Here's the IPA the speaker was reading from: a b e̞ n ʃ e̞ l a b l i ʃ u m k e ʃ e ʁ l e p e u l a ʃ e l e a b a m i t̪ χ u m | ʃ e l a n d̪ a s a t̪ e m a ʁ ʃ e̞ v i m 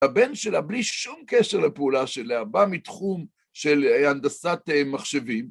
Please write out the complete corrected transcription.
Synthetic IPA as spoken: a b e̞ n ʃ e̞ l a b l i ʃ u m k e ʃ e ʁ l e p e u l a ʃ e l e a b a m i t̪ χ u m | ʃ e l a n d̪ a s a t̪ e m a χ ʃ e̞ v i m

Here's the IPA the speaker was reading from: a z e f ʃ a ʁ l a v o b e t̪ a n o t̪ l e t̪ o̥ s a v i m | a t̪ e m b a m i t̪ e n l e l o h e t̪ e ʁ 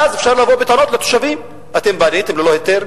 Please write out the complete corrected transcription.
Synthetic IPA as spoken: a z e f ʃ a ʁ l a v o b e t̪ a n o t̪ l e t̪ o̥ ʃ a v i m | a t̪ e m b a n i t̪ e m l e l o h e t̪ e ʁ

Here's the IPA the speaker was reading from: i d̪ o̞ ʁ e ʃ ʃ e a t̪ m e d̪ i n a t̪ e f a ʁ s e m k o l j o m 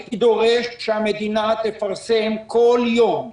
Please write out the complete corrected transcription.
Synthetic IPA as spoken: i d̪ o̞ ʁ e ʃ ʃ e a m e d̪ i n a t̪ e f a ʁ s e m k o l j o m

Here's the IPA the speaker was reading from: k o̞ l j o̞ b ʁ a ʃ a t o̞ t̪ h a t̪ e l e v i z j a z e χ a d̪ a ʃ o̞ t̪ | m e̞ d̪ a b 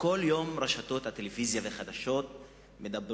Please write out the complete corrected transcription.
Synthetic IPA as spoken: k o̞ l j o̞ m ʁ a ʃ a t o̞ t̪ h a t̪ e l e v i z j a v e χ a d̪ a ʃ o̞ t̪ | m e̞ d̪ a b

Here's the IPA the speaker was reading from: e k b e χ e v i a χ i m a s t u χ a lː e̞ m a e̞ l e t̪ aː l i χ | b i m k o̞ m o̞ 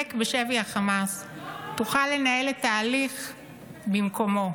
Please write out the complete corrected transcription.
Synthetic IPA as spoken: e k b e ʃ e v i a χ a m a s t u χ a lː e̞ n a e̞ l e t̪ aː l i χ | b i m k o̞ m o̞

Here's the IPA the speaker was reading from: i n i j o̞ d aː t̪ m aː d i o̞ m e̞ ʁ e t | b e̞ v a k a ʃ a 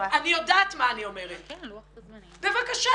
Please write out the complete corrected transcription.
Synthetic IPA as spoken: a n i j o̞ d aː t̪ m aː n i o̞ m e̞ ʁ e t | b e̞ v a k a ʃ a

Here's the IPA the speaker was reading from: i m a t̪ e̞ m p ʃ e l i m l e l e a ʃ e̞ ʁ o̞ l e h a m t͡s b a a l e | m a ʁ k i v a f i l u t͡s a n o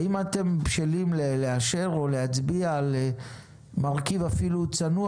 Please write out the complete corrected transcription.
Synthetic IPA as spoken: i m a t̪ e̞ m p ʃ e l i m l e l e a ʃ e̞ ʁ o̞ l e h a t͡s b i a l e | m a ʁ k i v a f i l u t͡s a n u

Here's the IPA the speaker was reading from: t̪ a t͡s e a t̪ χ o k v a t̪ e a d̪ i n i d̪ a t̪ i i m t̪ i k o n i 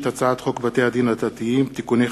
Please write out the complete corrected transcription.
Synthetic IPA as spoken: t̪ a t͡s a a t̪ χ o k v a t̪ e a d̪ i n a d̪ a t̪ i i m t̪ i k u n e

